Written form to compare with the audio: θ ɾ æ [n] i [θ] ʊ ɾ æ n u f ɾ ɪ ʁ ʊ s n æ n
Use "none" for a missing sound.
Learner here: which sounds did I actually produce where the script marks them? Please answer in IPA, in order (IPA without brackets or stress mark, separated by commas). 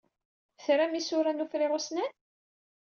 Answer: m, s